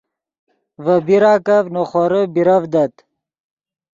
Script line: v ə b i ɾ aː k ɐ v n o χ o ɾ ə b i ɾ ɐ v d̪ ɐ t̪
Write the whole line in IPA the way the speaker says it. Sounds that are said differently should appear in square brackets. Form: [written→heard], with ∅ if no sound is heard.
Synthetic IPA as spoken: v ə b i ɾ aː k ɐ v n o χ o ɾ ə b i ɾ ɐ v d̪ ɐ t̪